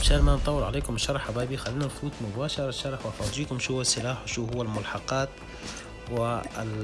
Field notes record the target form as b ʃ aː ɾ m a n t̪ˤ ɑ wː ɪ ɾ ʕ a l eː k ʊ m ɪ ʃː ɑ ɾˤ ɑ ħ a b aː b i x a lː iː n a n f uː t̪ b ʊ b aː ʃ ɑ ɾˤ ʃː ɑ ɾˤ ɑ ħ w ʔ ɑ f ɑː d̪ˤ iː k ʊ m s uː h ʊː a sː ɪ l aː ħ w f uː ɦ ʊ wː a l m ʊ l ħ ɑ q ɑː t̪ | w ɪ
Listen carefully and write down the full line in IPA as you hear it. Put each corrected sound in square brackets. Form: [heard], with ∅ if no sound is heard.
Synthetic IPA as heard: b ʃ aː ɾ m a n t̪ˤ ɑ wː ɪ ɾ ʕ a l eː k ʊ m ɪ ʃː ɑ ɾˤ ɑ ħ a b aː b i x a lː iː n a n f uː t̪ [m] ʊ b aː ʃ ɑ ɾˤ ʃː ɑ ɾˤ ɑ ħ w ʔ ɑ f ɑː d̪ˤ iː k ʊ m [ʃ] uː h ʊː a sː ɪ l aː ħ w [ʃ] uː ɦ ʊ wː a l m ʊ l ħ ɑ q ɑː t̪ | w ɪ